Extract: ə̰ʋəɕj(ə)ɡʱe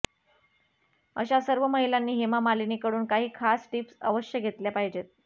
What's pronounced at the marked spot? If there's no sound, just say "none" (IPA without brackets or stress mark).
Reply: ə